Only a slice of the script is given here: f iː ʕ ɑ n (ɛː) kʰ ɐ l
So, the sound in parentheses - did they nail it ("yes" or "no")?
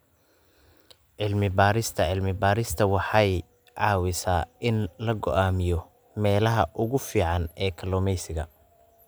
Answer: yes